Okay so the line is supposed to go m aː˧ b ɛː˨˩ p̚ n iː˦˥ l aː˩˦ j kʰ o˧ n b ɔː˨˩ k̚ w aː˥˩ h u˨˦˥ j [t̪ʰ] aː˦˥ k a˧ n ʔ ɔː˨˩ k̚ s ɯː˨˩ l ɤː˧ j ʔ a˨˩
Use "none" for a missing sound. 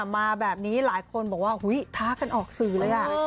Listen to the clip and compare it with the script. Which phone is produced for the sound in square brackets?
t̪ʰ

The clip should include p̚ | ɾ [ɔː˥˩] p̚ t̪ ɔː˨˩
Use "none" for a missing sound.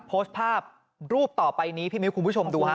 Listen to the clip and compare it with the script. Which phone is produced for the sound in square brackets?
uː˥˩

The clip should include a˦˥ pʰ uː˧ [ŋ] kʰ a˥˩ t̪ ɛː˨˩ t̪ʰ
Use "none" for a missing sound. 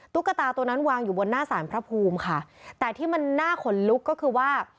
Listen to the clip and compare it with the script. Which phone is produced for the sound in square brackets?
m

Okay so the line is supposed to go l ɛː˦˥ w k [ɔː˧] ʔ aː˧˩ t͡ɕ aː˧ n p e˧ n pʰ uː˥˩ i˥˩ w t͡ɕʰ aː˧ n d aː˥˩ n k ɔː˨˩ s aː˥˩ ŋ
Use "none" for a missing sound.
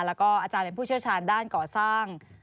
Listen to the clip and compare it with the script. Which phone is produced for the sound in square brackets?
ɔː˥˩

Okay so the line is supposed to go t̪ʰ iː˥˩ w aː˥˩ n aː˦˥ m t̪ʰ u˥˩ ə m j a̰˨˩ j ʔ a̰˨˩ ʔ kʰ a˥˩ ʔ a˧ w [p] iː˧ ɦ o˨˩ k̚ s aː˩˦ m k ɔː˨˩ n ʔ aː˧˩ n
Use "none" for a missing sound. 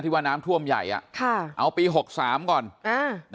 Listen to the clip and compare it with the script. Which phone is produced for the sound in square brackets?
p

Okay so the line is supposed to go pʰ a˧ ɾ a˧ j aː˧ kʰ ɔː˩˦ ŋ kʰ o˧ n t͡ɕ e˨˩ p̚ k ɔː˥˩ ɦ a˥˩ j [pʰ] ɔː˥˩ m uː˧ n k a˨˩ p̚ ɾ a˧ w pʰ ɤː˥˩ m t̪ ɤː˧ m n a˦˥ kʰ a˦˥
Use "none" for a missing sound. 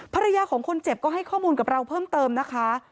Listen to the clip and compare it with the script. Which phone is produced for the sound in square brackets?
kʰ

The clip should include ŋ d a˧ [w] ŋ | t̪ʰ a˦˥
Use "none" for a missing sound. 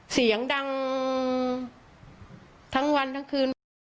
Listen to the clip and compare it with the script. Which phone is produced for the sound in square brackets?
none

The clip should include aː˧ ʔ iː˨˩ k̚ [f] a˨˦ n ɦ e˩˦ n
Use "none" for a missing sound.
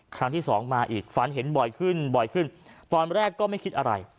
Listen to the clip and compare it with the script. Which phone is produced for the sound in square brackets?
f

